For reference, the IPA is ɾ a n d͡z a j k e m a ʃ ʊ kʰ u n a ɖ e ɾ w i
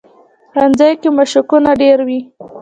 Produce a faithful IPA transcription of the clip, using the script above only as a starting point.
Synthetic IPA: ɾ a n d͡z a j k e m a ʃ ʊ k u n a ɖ e ɾ w i